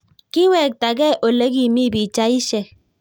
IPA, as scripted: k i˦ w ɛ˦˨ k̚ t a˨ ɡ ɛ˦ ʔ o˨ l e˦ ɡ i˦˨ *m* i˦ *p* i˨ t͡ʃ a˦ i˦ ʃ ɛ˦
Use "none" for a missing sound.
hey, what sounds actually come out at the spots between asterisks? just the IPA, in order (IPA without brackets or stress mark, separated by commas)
m, b